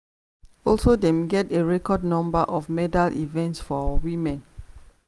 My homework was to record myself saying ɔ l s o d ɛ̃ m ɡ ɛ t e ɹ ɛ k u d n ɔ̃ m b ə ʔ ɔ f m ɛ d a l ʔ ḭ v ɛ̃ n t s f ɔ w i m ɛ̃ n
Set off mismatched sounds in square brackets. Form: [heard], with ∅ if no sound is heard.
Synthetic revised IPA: ɔ l s o d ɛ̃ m ɡ ɛ t e ɹ ɛ k [ɔ] d n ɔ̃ m b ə ʔ ɔ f m ɛ d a l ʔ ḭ v ɛ̃ n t s f ɔ w i m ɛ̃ n